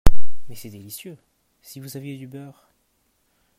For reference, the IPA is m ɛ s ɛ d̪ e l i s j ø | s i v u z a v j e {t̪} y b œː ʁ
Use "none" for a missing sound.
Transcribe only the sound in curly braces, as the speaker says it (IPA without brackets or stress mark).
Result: d̪